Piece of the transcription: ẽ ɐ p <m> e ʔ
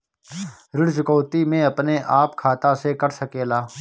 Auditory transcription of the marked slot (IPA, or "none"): n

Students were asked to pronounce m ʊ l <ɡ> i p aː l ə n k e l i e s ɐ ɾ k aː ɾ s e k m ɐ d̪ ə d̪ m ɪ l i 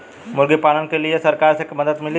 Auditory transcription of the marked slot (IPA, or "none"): ɡ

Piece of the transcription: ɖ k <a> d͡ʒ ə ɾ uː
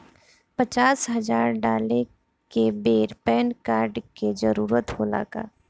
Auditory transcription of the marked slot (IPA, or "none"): e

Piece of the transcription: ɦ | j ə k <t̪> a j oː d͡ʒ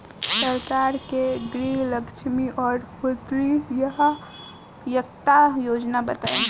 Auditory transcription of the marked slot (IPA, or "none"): t̪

